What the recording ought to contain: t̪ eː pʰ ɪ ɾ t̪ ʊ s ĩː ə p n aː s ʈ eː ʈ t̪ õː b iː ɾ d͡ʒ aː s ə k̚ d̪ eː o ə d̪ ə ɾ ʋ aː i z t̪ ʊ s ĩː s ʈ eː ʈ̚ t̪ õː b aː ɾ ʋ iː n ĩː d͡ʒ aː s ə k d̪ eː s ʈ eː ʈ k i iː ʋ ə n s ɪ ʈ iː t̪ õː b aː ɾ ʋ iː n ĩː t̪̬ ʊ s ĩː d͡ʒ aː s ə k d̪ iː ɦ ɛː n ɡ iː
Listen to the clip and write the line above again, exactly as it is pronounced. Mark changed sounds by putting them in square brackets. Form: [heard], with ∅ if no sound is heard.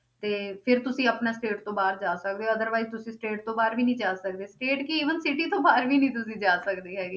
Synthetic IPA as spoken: t̪ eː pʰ ɪ ɾ t̪ ʊ s ĩː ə p n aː s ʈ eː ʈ t̪ õː b [aː] ɾ d͡ʒ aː s ə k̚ d̪ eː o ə d̪ ə ɾ ʋ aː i z t̪ ʊ s ĩː s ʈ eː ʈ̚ t̪ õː b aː ɾ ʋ iː n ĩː d͡ʒ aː s ə k d̪ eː s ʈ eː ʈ k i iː ʋ ə n s ɪ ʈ iː t̪ õː b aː ɾ ʋ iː n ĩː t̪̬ ʊ s ĩː d͡ʒ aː s ə k d̪ iː ɦ ɛː [∅] ɡ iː